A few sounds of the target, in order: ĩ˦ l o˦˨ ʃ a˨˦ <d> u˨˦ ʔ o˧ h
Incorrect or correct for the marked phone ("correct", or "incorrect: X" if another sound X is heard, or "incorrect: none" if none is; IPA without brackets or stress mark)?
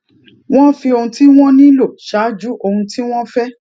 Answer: incorrect: d͡ʒ